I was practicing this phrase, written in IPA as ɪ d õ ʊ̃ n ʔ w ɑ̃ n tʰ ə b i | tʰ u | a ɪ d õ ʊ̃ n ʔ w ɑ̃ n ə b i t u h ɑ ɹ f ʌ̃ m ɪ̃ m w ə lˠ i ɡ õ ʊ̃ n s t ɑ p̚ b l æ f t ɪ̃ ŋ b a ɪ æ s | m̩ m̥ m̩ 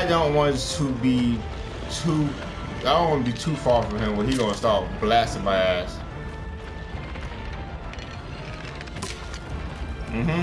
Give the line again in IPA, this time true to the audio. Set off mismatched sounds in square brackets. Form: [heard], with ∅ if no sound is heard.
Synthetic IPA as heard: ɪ d õ ʊ̃ n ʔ w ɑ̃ n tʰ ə b i | tʰ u | a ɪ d õ ʊ̃ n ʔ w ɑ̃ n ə b i [tʰ] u [f] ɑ ɹ f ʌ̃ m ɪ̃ m w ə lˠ i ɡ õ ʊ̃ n s t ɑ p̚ b l æ [s] t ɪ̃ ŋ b a ɪ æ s | m̩ m̥ m̩